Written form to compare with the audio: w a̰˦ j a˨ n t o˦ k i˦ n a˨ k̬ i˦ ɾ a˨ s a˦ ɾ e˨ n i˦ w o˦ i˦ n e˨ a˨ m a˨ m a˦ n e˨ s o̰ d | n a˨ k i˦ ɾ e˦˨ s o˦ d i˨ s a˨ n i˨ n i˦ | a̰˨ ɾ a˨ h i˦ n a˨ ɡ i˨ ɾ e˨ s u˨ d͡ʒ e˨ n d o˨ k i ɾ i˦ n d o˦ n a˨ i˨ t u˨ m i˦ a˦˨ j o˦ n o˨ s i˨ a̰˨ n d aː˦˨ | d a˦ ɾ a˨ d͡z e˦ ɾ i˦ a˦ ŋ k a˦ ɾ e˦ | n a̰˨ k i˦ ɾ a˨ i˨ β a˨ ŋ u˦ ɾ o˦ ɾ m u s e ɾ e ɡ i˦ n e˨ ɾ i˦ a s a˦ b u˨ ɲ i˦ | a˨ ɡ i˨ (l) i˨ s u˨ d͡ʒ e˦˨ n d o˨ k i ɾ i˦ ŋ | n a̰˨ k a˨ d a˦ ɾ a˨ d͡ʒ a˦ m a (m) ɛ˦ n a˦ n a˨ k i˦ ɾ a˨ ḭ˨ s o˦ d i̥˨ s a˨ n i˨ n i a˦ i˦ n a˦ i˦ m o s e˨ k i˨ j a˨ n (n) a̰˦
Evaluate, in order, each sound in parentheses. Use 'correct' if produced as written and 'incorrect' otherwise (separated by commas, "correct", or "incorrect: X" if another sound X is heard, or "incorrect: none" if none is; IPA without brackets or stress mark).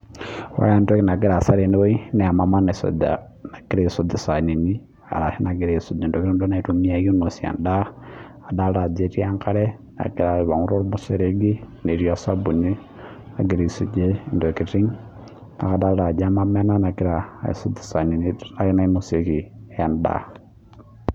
incorrect: ɾ, correct, incorrect: d